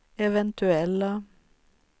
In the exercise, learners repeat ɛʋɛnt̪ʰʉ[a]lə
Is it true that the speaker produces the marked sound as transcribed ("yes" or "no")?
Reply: no